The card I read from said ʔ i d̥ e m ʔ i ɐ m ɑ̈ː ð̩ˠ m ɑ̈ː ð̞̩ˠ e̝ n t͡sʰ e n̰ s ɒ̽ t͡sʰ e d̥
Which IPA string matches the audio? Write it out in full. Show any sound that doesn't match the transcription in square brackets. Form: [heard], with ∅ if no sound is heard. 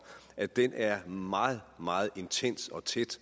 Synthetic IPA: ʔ [æ] d̥ e [n] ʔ [æ] ɐ m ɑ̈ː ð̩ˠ m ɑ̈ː ð̞̩ˠ e̝ n t͡sʰ e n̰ s ɒ̽ t͡sʰ e d̥